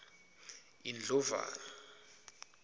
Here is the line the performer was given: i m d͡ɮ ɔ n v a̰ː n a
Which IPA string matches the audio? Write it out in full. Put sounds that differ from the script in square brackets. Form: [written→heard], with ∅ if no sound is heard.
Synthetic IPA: i [m→n] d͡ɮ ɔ [n→∅] v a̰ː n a